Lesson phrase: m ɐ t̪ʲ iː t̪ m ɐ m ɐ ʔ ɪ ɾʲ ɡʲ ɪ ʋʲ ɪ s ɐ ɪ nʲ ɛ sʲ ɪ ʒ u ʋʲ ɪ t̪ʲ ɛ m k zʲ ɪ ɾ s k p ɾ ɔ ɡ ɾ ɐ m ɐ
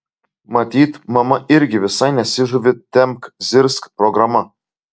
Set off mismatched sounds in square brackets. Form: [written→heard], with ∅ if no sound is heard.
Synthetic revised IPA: m ɐ t̪ʲ iː t̪ m ɐ m ɐ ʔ ɪ ɾʲ ɡʲ ɪ ʋʲ ɪ s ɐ ɪ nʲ ɛ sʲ ɪ ʒ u ʋʲ ɪ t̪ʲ ɛ m k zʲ ɪ ɾ s k p ɾ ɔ ɡ ɾ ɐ m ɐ